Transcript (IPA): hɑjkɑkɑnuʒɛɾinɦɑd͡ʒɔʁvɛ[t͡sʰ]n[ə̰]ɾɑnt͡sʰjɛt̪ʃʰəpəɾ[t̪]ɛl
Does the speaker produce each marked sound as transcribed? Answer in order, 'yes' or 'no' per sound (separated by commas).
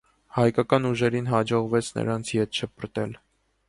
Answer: yes, yes, yes